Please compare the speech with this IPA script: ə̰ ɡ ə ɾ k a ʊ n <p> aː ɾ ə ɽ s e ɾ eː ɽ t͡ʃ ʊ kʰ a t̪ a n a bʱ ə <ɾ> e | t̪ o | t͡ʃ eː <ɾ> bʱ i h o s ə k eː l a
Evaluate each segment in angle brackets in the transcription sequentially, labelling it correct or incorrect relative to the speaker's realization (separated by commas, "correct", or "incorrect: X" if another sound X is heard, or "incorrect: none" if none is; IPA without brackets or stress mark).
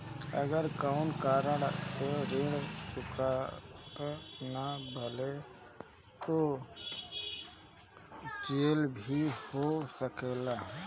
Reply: incorrect: k, incorrect: l, incorrect: l